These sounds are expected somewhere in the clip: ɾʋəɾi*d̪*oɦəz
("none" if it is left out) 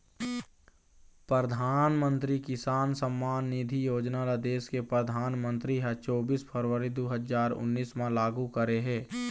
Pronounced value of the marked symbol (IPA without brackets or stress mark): d̪